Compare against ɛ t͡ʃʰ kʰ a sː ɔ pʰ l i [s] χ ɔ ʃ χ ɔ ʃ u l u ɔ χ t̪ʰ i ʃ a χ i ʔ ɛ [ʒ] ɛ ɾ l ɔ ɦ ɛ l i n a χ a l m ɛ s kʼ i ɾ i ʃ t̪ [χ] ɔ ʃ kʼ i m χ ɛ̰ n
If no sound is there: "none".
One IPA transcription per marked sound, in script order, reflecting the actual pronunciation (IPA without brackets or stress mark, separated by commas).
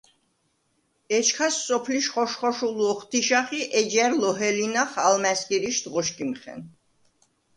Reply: ʃ, d͡ʒ, ʁ